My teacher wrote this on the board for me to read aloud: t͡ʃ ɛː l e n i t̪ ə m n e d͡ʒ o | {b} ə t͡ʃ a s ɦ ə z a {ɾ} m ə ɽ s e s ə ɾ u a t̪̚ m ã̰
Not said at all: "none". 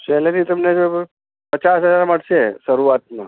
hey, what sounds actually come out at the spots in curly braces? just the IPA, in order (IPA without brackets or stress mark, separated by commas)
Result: p, ɾ